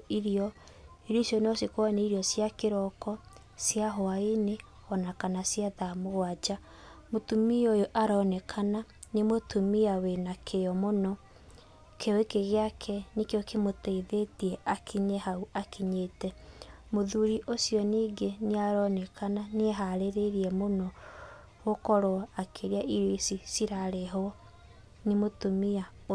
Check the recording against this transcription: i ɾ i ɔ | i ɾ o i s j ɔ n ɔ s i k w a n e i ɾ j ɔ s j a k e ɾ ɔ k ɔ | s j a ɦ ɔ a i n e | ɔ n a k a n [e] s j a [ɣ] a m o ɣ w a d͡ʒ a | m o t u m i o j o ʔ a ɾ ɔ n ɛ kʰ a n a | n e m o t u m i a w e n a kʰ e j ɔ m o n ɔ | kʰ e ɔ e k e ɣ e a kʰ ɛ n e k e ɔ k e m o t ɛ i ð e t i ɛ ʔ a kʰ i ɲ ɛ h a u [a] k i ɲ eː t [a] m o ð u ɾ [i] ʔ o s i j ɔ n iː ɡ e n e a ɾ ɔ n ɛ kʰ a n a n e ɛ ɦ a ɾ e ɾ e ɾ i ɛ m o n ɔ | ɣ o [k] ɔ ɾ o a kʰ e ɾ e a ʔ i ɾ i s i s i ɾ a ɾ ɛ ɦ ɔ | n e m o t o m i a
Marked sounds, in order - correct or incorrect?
incorrect, incorrect, correct, incorrect, correct, correct

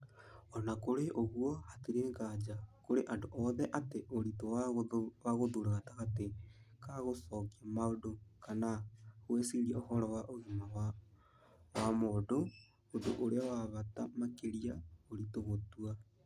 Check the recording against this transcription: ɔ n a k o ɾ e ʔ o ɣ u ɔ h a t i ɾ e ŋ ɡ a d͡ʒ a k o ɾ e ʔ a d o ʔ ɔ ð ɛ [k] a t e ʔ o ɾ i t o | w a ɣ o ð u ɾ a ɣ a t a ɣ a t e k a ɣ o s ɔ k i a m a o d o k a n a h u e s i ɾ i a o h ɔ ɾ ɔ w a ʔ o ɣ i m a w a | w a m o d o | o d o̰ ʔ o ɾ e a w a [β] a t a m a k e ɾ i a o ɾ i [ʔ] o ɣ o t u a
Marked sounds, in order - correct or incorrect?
incorrect, correct, incorrect

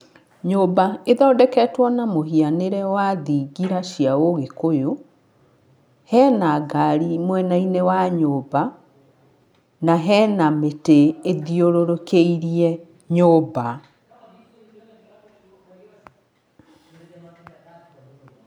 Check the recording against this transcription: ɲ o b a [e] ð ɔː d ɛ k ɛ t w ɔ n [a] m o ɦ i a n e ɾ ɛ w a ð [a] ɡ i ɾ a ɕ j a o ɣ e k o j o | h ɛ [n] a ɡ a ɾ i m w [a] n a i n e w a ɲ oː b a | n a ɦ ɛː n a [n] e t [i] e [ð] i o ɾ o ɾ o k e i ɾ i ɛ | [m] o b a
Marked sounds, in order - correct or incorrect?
correct, correct, incorrect, correct, incorrect, incorrect, incorrect, correct, incorrect

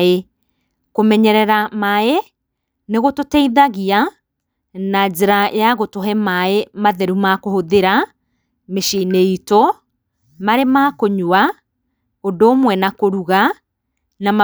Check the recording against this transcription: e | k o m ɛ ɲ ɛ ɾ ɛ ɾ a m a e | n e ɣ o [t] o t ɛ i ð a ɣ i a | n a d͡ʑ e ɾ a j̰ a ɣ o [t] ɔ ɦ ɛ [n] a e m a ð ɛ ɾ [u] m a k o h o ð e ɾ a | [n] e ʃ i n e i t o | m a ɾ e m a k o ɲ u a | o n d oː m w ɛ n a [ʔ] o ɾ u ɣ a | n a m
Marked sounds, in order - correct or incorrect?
correct, correct, incorrect, correct, incorrect, incorrect

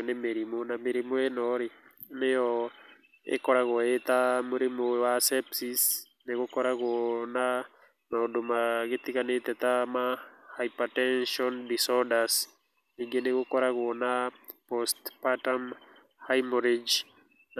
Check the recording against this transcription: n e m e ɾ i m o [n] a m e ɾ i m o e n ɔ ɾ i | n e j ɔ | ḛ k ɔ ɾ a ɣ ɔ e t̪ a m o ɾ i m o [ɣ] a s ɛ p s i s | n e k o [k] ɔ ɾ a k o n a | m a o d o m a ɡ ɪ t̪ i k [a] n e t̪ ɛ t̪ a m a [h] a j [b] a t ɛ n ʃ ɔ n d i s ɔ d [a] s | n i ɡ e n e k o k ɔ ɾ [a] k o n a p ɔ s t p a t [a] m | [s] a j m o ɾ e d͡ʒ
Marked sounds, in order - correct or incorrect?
correct, incorrect, correct, correct, correct, incorrect, correct, correct, correct, incorrect

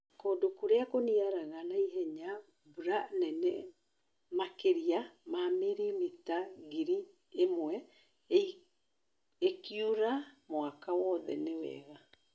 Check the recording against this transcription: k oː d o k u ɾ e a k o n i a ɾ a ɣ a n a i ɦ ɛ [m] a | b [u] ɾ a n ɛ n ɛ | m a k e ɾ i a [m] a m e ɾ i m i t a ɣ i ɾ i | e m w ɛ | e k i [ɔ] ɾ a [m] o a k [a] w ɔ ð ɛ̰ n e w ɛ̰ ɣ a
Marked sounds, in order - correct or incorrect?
incorrect, correct, correct, incorrect, correct, correct

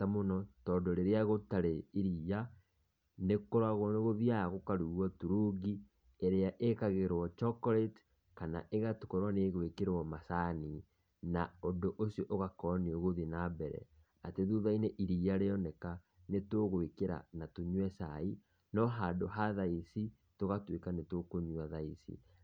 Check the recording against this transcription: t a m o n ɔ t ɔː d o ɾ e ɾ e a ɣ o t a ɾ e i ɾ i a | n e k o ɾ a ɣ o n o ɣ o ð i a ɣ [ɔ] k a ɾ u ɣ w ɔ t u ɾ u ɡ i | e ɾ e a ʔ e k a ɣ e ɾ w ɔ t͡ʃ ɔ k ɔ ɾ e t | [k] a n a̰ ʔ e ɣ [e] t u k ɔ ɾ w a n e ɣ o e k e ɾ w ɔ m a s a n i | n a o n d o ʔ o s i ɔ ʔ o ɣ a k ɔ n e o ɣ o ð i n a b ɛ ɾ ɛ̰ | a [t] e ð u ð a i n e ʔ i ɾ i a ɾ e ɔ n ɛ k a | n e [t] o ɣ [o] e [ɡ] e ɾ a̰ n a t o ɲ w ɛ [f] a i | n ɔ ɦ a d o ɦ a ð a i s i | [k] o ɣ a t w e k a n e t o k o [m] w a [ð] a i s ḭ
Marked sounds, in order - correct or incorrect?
incorrect, correct, incorrect, correct, correct, correct, incorrect, incorrect, incorrect, incorrect, correct

